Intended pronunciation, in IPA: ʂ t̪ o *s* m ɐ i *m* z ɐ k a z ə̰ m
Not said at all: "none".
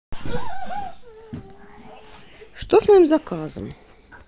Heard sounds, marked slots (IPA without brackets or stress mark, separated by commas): s, m